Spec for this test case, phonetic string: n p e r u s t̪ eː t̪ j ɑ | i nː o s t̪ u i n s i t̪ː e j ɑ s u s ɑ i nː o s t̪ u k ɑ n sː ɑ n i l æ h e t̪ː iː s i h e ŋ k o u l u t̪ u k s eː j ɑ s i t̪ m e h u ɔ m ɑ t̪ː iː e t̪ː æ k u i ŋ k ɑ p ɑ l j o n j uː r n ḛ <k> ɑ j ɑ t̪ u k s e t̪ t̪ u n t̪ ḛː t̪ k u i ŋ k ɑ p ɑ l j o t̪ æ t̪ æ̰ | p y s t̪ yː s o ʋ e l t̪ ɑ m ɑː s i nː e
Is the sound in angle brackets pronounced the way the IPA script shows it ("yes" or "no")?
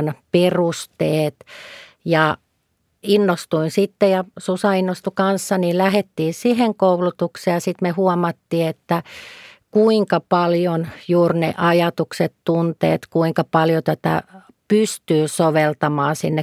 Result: no